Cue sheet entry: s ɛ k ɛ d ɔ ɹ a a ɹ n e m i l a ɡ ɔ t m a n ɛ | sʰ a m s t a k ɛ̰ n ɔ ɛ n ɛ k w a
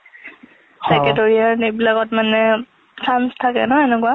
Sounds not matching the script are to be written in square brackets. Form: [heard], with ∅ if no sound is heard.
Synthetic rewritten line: s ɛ k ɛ [t] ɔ ɹ [i] a ɹ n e [b] i l a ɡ ɔ t m a n ɛ | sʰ a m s [tʰ] a k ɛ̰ n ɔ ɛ n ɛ k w a